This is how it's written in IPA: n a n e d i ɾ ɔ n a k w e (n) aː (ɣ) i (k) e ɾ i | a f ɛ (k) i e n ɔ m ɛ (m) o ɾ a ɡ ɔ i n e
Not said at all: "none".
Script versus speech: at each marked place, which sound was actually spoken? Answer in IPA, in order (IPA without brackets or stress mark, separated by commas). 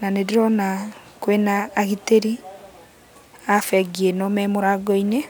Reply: n, ɣ, t, ɡ, m